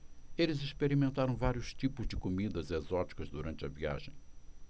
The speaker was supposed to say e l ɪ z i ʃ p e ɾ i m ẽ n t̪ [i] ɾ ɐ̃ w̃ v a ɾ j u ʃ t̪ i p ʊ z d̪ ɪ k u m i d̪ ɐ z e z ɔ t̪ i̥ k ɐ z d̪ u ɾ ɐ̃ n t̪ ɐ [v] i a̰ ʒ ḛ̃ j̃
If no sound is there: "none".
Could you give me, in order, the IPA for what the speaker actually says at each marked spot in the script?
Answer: a, v

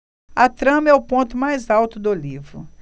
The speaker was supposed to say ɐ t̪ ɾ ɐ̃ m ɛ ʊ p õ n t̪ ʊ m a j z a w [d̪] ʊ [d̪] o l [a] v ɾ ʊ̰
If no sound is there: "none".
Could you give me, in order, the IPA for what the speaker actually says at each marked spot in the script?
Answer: t̪, d̪, i

